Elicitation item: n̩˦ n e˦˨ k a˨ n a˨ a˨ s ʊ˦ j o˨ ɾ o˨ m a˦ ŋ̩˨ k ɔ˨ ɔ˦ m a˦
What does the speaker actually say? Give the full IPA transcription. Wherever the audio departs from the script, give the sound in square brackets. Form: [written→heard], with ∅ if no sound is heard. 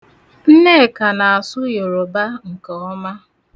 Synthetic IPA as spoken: n̩˦ n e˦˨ k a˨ n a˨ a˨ s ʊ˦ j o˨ ɾ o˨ [m→b] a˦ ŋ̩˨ k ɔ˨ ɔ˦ m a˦